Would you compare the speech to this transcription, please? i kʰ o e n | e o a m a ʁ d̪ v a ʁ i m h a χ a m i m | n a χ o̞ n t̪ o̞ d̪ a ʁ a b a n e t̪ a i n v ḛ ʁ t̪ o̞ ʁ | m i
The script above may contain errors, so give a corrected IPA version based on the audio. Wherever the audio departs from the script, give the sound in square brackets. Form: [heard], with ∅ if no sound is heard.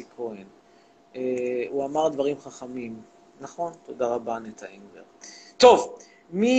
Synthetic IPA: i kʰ o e n | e [u] a m a ʁ d̪ v a ʁ i m [χ] a χ a m i m | n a χ o̞ n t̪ o̞ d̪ a ʁ a b a n e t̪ a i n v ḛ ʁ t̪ o̞ [v] | m i